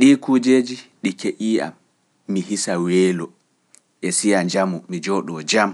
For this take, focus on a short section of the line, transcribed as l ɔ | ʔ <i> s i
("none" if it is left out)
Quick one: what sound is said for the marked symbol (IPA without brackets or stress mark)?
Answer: ɛ